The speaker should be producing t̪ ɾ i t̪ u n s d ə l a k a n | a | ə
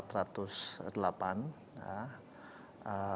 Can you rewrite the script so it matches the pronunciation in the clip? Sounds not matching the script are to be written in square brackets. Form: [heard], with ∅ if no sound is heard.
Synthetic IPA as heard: t̪ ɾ [a] t̪ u [∅] s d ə l a [p] a n | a | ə